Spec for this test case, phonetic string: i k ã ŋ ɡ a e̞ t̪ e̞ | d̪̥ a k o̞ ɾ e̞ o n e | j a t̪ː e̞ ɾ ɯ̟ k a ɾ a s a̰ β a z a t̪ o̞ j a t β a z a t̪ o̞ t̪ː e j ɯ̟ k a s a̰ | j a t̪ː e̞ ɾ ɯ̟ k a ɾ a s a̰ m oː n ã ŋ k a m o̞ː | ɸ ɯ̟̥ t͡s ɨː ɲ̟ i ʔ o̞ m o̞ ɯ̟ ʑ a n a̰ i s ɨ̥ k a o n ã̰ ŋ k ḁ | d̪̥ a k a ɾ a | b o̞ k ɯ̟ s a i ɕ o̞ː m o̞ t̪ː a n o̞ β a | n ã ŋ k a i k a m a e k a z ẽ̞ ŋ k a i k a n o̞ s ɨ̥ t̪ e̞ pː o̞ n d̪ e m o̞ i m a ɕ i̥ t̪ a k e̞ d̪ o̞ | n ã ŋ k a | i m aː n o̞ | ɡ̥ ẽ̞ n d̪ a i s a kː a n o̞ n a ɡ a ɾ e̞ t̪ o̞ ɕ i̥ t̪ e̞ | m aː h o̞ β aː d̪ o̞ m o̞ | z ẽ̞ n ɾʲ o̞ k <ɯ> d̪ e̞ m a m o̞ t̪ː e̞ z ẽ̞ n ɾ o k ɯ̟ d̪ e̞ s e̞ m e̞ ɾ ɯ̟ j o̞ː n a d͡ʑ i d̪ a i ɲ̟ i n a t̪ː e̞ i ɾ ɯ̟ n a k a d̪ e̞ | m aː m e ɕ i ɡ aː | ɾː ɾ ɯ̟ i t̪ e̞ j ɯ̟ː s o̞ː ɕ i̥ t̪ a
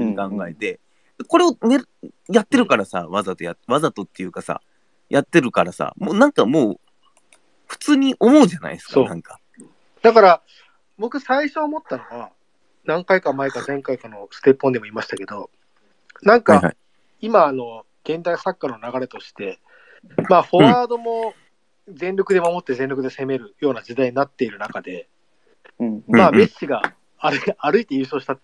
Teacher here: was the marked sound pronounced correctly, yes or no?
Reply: yes